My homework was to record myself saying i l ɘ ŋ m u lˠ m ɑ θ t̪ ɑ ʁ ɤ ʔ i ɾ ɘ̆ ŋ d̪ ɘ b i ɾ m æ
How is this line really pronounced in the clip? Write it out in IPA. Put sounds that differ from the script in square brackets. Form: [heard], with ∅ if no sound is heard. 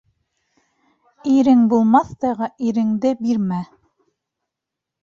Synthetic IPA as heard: i [ɾ] ɘ ŋ [b] u lˠ m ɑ θ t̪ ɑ ʁ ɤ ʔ i ɾ ɘ̆ ŋ d̪ ɘ b i ɾ m æ